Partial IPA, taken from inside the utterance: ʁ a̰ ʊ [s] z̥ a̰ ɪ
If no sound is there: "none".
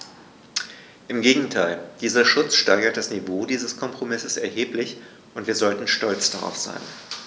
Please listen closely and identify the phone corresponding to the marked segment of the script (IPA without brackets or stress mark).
f